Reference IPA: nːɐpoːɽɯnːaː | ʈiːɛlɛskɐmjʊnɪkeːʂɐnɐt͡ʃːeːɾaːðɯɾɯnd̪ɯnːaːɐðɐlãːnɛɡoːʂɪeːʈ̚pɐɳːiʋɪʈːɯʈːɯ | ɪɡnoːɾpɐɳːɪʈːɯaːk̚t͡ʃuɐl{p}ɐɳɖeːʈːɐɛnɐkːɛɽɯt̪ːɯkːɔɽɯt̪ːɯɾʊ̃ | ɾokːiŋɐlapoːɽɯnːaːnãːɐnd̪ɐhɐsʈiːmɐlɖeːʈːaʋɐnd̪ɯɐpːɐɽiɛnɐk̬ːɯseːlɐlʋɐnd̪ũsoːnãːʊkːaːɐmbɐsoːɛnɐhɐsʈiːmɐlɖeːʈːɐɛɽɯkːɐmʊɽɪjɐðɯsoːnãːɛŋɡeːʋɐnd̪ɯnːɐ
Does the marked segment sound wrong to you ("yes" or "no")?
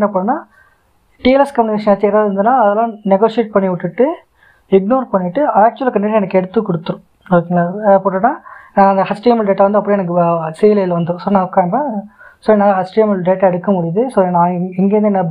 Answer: yes